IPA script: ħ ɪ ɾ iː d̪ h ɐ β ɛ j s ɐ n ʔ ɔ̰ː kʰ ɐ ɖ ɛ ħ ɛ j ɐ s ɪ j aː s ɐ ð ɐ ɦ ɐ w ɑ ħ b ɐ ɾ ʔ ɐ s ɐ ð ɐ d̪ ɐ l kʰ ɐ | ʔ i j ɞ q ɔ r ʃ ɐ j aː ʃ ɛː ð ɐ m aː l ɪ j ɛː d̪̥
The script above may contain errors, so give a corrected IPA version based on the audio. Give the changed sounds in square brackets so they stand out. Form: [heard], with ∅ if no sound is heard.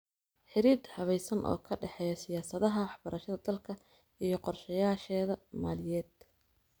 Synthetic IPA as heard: ħ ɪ ɾ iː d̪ h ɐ β ɛ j s ɐ n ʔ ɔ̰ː kʰ ɐ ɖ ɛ ħ ɛ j ɐ s ɪ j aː s ɐ ð ɐ ɦ ɐ w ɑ ħ b ɐ ɾ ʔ ɐ [ʃ] ɐ ð ɐ d̪ ɐ l kʰ ɐ | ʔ i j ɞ q ɔ r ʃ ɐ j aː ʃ ɛː ð ɐ m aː l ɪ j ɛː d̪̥